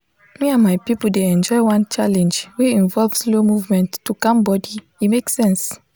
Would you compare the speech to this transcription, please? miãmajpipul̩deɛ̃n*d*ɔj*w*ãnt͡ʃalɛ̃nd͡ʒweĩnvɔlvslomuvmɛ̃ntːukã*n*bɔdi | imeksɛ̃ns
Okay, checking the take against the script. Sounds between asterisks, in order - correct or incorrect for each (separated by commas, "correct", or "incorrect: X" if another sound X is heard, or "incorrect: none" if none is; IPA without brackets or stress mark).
incorrect: d͡ʒ, correct, incorrect: m